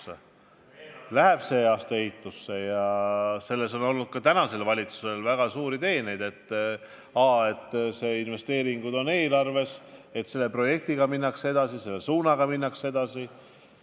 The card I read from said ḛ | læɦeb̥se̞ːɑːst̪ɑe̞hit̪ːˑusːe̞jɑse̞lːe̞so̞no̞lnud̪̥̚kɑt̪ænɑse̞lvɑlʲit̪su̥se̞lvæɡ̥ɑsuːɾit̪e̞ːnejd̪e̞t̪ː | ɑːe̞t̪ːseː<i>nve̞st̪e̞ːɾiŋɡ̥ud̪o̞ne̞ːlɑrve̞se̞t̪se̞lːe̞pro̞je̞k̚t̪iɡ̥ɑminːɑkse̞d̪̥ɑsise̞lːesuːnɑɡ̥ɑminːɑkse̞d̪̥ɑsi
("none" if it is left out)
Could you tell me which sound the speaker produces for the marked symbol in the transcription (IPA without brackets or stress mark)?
i